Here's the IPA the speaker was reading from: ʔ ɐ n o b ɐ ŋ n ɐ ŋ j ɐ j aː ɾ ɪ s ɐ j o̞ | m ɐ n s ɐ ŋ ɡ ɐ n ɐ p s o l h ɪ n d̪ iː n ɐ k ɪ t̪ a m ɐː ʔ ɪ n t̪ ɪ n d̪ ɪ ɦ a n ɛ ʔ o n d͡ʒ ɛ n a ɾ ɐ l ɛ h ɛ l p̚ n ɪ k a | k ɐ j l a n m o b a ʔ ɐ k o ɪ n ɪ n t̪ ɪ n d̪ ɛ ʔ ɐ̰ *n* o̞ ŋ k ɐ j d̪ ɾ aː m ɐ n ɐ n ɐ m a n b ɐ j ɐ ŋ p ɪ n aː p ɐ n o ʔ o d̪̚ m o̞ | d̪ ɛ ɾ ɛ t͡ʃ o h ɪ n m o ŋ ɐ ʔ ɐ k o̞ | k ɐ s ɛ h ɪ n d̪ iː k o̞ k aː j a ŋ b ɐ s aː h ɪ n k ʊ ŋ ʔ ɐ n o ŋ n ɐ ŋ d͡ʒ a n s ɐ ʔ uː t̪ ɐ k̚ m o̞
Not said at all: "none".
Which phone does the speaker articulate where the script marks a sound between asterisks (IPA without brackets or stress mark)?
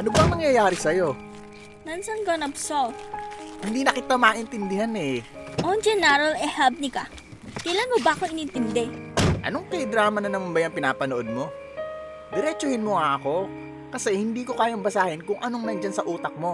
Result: n